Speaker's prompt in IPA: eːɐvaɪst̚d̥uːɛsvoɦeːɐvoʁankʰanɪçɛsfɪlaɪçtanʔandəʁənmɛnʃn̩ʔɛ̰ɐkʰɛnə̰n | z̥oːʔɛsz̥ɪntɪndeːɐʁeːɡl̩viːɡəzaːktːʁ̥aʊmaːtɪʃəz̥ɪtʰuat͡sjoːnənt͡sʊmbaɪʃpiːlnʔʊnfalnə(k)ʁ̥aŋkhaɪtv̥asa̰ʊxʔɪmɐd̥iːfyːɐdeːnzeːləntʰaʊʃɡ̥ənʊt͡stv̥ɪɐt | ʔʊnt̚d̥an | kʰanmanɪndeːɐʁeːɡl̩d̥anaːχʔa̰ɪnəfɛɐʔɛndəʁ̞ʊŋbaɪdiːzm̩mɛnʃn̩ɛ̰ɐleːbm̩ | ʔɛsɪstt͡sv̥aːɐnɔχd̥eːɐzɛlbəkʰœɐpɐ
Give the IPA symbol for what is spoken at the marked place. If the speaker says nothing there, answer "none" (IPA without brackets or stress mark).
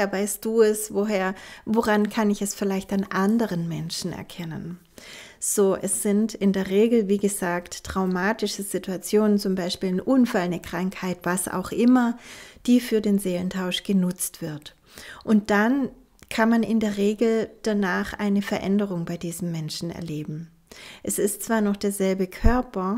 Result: k